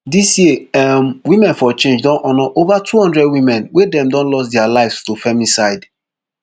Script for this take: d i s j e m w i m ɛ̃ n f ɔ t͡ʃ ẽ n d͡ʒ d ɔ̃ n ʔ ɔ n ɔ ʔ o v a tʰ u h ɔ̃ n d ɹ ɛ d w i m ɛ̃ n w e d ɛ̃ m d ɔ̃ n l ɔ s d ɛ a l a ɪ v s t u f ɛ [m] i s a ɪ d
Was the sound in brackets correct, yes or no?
yes